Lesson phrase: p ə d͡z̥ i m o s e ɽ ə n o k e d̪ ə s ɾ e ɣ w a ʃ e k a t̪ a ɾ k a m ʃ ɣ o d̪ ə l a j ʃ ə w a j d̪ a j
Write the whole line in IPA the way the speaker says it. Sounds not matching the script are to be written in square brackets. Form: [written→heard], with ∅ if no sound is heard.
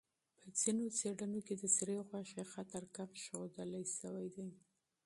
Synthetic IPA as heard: p ə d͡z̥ i [m→n] o [s→t͡s] e ɽ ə n o k e d̪ ə s ɾ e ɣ w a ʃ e [k→x] a t̪ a ɾ k a m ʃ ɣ o d̪ ə l a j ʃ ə w a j d̪ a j